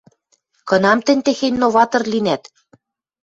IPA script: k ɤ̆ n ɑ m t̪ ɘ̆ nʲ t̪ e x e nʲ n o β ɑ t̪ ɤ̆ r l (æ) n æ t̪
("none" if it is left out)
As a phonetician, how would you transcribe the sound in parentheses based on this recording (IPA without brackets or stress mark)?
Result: i